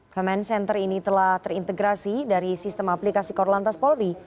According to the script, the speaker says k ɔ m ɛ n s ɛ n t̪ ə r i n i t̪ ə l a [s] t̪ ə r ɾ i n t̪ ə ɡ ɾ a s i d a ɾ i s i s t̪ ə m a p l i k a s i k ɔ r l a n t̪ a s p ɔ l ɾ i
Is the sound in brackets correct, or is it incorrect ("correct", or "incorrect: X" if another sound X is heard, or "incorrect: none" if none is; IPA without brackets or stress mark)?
incorrect: h